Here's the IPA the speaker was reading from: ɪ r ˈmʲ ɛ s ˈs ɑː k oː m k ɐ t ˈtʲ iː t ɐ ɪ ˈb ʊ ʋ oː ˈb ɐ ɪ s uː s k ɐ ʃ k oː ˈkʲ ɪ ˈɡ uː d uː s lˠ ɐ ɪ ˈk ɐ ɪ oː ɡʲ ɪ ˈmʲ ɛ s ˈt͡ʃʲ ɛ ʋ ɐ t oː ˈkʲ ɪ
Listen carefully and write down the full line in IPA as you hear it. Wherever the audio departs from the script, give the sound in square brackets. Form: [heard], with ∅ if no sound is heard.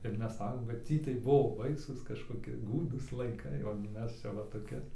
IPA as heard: ɪ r ˈmʲ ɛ s ˈs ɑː k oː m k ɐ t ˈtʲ iː t ɐ ɪ ˈb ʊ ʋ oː ˈb ɐ ɪ s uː s k ɐ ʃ k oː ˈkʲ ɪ ˈɡ uː d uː s lˠ ɐ ɪ ˈk ɐ ɪ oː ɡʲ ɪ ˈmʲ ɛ s ˈt͡ʃʲ ɛ ʋ ɐ t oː ˈkʲ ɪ